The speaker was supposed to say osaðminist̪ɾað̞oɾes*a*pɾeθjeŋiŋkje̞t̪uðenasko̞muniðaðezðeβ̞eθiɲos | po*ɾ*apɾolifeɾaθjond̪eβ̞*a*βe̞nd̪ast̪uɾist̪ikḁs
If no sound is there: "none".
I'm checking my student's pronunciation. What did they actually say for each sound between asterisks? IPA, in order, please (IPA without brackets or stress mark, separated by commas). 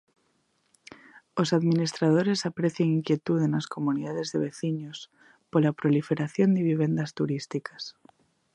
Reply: a, l, i